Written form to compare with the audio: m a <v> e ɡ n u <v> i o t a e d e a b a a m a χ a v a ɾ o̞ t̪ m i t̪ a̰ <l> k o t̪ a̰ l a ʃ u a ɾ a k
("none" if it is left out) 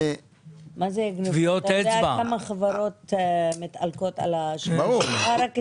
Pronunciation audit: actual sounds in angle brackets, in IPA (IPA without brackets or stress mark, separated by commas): z, v, l